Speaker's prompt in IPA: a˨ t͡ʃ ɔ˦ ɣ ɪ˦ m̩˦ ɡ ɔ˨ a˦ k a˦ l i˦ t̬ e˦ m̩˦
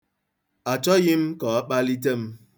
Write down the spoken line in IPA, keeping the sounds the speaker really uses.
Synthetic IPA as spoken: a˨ t͡ʃ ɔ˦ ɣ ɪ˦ m̩˦ k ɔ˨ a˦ k͡p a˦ l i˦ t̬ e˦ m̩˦